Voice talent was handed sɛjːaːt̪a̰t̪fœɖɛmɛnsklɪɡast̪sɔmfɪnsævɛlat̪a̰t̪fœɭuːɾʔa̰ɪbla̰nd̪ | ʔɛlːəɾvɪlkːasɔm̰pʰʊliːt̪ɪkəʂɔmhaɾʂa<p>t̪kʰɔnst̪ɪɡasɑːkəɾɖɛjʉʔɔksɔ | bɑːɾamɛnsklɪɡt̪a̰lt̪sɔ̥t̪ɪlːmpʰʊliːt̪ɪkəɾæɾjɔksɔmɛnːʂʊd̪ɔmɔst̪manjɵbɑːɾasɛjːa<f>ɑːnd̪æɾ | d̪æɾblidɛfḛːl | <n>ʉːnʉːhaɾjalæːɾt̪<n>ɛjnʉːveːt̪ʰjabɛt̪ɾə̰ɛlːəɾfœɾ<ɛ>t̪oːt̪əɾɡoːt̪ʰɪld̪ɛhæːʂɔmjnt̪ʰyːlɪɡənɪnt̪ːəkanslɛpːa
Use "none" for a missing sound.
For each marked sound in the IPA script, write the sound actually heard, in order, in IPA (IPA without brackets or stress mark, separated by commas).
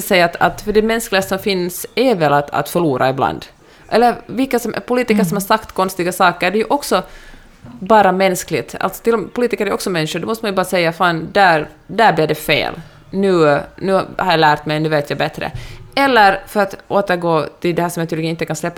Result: k, f, n, m, a